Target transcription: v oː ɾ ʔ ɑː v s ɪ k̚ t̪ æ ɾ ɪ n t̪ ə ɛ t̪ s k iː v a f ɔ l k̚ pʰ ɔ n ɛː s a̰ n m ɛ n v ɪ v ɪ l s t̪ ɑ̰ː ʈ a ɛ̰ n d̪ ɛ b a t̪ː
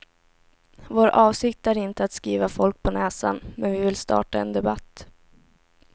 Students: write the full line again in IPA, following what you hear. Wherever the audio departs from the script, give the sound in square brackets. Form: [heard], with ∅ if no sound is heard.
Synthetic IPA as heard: v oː ɾ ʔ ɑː v s ɪ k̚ t̪ æ ɾ ɪ n t̪ ə [a] t̪ s k iː v a f ɔ l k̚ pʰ ɔ n ɛː s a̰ n m ɛ n v ɪ v ɪ l s t̪ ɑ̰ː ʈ a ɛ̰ n d̪ ɛ b a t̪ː